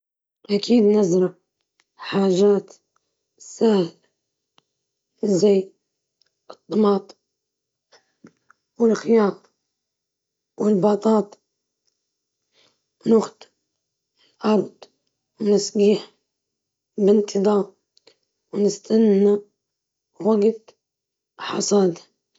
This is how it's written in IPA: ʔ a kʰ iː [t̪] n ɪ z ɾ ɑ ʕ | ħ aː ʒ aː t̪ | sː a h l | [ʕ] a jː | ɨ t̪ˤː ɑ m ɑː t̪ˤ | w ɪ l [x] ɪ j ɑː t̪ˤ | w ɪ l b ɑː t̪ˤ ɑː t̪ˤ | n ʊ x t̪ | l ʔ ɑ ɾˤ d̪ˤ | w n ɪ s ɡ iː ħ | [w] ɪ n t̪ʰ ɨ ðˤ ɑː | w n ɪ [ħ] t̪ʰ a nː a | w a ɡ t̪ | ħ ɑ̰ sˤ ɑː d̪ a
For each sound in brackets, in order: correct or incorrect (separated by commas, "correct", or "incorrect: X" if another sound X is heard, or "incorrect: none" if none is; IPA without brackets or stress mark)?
incorrect: d̪, incorrect: z, correct, incorrect: b, incorrect: s